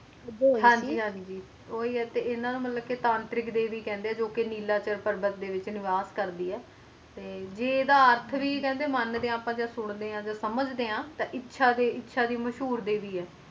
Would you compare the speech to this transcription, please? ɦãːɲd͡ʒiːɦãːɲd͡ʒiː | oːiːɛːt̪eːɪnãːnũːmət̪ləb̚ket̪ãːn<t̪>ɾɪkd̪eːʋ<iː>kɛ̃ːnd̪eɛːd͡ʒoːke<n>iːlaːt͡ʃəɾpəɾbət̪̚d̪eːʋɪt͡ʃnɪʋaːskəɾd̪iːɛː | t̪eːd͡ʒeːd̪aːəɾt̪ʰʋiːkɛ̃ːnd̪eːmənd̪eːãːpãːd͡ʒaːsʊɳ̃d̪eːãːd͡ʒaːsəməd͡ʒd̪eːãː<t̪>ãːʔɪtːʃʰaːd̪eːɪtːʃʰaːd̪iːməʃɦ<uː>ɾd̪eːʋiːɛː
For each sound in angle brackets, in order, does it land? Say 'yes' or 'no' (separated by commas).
yes, yes, yes, yes, yes